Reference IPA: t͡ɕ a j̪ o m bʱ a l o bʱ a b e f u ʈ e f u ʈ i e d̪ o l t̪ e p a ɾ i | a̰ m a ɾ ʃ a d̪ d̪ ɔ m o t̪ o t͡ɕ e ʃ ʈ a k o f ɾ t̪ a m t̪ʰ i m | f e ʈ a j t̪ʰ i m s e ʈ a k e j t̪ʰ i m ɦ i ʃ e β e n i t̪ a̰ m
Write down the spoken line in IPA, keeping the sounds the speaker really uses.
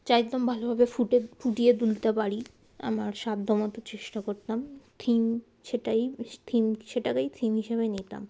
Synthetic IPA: t͡ɕ a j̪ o m bʱ a l o bʱ a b e f u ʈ e f u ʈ i e d̪ u l t̪ e p a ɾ i | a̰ m a ɾ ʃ a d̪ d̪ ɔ m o t̪ o t͡ɕ e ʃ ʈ a k o ɾ t̪ a m t̪ʰ i m | ʃ e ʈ a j t̪ʰ i m ʃ e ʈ a k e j t̪ʰ i m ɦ i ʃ e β e n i t̪ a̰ m